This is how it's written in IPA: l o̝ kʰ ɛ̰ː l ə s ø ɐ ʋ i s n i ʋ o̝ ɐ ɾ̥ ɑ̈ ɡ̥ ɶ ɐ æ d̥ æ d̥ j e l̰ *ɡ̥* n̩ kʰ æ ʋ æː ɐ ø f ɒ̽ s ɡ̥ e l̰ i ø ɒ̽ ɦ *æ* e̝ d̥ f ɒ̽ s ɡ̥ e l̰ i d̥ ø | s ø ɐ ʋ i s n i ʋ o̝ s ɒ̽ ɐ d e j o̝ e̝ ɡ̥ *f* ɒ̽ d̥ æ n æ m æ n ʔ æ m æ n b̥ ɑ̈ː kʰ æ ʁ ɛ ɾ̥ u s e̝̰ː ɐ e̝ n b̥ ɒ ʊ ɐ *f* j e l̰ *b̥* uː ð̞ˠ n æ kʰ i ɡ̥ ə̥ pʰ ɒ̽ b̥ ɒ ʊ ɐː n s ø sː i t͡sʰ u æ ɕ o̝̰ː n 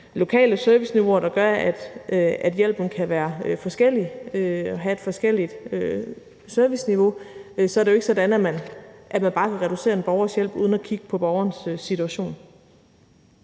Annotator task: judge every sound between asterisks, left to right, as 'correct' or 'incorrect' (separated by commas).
incorrect, correct, incorrect, incorrect, correct